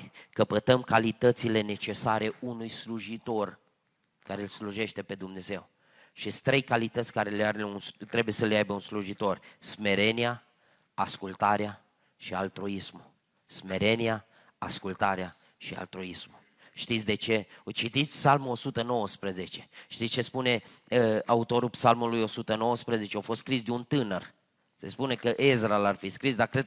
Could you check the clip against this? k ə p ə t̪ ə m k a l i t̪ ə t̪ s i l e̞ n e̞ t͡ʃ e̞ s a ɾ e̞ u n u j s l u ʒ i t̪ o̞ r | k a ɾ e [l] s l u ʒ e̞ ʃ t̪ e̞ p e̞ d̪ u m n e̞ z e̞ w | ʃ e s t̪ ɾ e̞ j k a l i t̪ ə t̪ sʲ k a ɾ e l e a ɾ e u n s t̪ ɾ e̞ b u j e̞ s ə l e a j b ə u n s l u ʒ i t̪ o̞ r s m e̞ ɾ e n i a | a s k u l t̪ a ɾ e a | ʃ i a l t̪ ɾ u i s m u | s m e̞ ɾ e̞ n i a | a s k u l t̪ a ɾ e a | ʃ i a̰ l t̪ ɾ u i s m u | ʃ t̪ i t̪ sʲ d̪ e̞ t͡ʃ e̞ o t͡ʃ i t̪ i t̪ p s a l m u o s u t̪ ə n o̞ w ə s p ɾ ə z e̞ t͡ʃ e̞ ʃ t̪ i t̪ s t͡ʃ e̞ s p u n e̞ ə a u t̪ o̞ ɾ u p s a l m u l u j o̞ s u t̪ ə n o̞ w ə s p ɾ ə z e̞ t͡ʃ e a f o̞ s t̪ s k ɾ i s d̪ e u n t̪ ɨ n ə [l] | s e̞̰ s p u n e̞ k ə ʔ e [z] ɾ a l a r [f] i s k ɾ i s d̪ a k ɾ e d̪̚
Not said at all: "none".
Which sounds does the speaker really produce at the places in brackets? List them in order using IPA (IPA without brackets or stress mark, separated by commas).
l, r, z, f